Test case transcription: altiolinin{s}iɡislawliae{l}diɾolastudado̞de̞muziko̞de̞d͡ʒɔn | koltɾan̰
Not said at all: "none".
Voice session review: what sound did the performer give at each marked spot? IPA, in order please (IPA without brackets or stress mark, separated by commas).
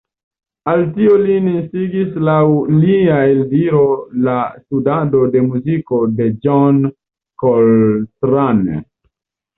s, l